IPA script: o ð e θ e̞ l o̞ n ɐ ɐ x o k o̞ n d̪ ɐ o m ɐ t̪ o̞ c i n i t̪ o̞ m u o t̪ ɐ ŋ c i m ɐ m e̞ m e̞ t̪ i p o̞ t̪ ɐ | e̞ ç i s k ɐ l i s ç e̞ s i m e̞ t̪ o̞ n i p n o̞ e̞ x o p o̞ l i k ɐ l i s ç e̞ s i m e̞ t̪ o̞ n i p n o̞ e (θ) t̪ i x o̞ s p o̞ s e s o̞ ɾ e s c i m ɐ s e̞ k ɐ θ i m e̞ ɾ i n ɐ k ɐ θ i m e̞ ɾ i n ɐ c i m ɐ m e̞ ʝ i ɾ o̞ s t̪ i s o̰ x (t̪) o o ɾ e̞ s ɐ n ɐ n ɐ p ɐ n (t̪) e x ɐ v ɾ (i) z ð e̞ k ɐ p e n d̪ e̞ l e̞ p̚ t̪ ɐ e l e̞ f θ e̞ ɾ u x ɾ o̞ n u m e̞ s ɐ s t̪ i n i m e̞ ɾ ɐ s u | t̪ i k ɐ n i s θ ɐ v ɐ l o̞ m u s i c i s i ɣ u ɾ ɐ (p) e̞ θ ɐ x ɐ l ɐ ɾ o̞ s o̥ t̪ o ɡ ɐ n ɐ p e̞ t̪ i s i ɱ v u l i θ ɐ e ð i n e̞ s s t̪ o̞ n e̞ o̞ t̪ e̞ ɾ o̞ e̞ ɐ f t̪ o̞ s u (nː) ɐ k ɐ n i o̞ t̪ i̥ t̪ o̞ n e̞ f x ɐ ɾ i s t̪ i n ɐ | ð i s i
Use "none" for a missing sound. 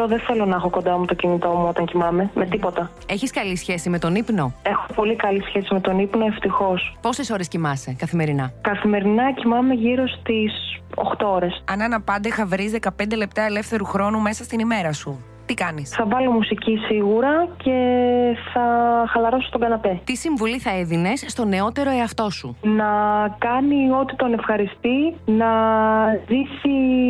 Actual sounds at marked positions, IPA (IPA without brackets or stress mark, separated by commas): f, t̪, d̪, i, c, n